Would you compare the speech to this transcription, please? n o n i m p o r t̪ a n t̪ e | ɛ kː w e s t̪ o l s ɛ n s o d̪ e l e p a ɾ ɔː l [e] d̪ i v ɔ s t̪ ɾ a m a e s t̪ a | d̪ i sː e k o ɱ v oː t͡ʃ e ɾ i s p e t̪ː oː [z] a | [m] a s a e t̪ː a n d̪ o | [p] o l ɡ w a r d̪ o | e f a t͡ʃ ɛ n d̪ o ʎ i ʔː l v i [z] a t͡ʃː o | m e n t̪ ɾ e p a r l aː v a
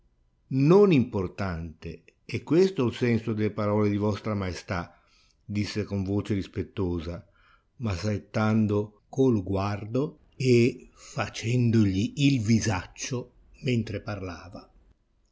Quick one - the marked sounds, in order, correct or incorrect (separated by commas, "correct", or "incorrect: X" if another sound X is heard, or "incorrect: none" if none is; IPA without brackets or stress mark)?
correct, correct, correct, incorrect: k, correct